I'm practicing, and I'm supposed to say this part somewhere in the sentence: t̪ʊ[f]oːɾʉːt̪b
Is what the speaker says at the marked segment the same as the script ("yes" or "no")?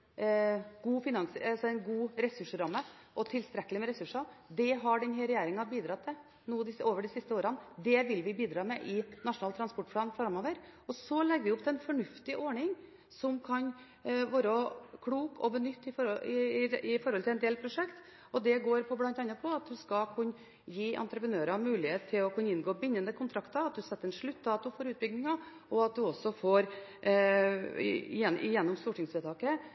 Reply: yes